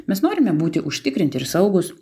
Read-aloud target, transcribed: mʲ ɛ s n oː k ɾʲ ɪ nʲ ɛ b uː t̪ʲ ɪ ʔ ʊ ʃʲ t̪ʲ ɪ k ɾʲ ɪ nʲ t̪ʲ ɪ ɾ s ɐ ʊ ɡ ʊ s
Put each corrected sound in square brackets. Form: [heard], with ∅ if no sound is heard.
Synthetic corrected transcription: mʲ ɛ s n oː [∅] ɾʲ ɪ [mʲ] ɛ b uː t̪ʲ ɪ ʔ ʊ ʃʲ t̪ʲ ɪ k ɾʲ ɪ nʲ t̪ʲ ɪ ɾ s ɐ ʊ ɡ ʊ s

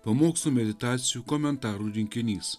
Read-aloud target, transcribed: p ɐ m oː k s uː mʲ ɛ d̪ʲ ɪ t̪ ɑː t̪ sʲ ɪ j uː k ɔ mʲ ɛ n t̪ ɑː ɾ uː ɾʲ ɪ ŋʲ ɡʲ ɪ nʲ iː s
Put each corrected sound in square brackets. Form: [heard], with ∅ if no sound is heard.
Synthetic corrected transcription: p ɐ m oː k s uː mʲ ɛ d̪ʲ ɪ t̪ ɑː t̪ sʲ ɪ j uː k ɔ mʲ ɛ n t̪ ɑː ɾ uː ɾʲ ɪ ŋʲ [kʲ] ɪ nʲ iː s

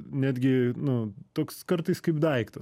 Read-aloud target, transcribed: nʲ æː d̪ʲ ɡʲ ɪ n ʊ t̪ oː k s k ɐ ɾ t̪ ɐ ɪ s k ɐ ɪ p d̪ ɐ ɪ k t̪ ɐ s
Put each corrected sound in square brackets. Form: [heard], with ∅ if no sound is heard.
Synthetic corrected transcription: nʲ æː d̪ʲ ɡʲ ɪ n ʊ t̪ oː k s k ɐ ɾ t̪ ɐ ɪ s k ɐ ɪ p d̪ ɐ ɪ k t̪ ɐ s

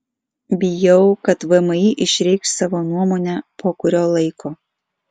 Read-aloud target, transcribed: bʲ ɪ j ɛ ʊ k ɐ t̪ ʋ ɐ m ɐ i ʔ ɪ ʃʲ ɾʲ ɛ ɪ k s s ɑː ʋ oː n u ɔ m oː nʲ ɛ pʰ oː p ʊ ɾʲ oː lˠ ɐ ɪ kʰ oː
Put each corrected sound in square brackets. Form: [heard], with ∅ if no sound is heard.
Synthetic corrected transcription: bʲ ɪ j ɛ ʊ k ɐ t̪ ʋ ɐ m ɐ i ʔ ɪ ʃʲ ɾʲ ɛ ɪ k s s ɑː ʋ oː n u ɔ m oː nʲ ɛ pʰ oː [k] ʊ ɾʲ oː lˠ ɐ ɪ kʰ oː

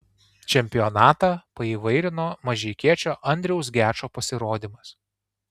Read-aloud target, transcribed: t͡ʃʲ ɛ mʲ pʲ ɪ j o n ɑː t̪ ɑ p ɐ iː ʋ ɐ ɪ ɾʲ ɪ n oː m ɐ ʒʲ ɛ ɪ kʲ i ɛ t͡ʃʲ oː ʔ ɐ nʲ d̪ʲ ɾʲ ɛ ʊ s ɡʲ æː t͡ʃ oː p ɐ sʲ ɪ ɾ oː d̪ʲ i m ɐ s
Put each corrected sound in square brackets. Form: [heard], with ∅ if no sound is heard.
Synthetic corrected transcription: t͡ʃʲ ɛ mʲ pʲ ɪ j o n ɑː t̪ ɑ p ɐ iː ʋ ɐ ɪ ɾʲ ɪ n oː m ɐ ʒʲ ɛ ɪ kʲ i ɛ t͡ʃʲ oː ʔ ɐ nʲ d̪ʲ ɾʲ ɛ ʊ s ɡʲ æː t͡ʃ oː p ɐ sʲ ɪ ɾ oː d̪ʲ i m ɐ s

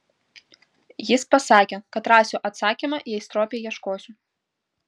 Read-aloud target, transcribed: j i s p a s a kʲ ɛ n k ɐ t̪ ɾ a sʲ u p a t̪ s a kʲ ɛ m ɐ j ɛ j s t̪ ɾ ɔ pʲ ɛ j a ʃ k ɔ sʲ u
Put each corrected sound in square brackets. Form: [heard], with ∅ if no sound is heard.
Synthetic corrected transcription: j i s p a s a kʲ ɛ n k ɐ t̪ ɾ a sʲ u [ʔ] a t̪ s a kʲ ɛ m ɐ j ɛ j s t̪ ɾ ɔ pʲ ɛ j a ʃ k ɔ sʲ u

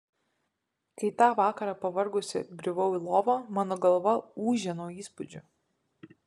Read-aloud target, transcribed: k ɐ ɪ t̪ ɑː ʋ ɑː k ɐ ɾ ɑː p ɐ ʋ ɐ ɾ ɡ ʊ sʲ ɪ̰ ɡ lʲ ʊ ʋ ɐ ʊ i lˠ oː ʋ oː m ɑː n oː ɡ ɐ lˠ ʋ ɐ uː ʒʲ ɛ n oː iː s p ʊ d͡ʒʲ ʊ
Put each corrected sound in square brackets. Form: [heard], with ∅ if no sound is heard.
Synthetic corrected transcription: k ɐ ɪ t̪ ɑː ʋ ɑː k ɐ ɾ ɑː p ɐ ʋ ɐ ɾ ɡ ʊ sʲ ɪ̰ ɡ [ɾʲ] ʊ ʋ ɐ ʊ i lˠ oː ʋ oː m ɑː n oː ɡ ɐ lˠ ʋ ɐ uː ʒʲ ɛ n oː iː s p ʊ d͡ʒʲ ʊ

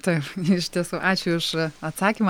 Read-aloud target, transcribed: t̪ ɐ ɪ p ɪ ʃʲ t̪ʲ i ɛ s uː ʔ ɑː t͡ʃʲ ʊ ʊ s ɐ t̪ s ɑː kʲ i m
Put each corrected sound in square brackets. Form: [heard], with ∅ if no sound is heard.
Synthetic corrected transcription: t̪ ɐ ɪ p ɪ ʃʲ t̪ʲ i ɛ s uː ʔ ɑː t͡ʃʲ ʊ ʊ [ʃ] ɐ t̪ s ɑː kʲ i m

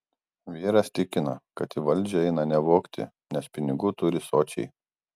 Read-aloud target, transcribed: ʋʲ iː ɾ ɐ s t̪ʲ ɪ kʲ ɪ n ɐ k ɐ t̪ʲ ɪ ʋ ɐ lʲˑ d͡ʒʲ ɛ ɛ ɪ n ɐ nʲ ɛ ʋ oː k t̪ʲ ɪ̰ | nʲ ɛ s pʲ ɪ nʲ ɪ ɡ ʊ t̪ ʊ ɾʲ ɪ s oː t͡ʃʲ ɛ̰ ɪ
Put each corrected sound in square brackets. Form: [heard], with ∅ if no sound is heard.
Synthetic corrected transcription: ʋʲ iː ɾ ɐ s t̪ʲ ɪ kʲ ɪ n ɐ k ɐ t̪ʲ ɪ ʋ ɐ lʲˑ d͡ʒʲ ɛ ɛ ɪ n ɐ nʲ ɛ ʋ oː k t̪ʲ ɪ̰ | nʲ ɛ s pʲ ɪ nʲ ɪ ɡ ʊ t̪ ʊ ɾʲ ɪ s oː t͡ʃʲ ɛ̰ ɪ

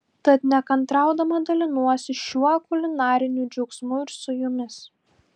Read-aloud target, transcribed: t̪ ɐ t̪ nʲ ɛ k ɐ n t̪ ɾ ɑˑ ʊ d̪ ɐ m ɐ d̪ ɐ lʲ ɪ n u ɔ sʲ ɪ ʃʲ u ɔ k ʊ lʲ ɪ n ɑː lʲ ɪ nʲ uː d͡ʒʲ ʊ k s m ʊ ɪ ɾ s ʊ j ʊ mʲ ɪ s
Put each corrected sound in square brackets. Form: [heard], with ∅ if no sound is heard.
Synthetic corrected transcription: t̪ ɐ t̪ nʲ ɛ k ɐ n t̪ ɾ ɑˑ ʊ d̪ ɐ m ɐ d̪ ɐ lʲ ɪ n u ɔ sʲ ɪ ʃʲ u ɔ k ʊ lʲ ɪ n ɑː [ɾʲ] ɪ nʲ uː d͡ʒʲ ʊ k s m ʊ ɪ ɾ s ʊ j ʊ mʲ ɪ s

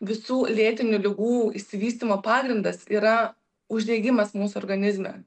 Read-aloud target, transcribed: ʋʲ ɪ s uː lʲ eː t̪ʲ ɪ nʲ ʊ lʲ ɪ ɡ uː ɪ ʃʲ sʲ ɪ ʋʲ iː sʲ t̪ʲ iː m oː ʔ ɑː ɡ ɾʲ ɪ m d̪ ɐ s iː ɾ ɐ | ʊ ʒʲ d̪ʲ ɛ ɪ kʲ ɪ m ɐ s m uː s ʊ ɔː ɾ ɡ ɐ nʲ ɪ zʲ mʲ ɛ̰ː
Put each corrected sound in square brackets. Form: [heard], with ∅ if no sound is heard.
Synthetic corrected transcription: ʋʲ ɪ s uː lʲ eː t̪ʲ ɪ nʲ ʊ lʲ ɪ ɡ uː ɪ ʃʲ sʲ ɪ ʋʲ iː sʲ t̪ʲ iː m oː [p] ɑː ɡ ɾʲ ɪ [n] d̪ ɐ s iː ɾ ɐ | ʊ ʒʲ d̪ʲ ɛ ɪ [ɡʲ] ɪ m ɐ s m uː s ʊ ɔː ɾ ɡ ɐ nʲ ɪ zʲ mʲ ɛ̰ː

